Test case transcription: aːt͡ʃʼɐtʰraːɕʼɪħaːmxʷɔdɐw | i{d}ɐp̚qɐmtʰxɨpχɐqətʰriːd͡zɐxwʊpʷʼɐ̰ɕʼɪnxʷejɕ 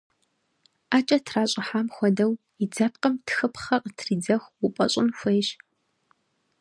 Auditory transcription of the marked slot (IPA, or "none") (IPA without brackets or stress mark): d͡z